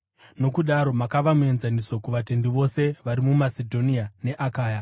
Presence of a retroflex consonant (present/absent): absent